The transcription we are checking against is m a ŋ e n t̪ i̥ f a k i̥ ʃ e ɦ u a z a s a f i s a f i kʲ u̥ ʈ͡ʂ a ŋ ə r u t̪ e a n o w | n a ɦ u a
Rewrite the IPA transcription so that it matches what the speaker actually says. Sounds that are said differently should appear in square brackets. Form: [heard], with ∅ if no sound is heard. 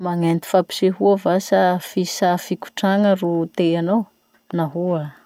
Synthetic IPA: m a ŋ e n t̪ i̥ f a [p] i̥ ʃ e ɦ u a [v] a s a f i s a f i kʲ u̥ ʈ͡ʂ a ŋ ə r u t̪ e a n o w | n a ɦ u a